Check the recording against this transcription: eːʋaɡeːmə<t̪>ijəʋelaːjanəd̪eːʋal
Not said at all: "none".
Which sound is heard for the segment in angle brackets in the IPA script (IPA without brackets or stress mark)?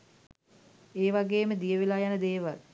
d̪